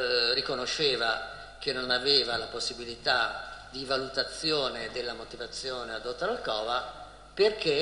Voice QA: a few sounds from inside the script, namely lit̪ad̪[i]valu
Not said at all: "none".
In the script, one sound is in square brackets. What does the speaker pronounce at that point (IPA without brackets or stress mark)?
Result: i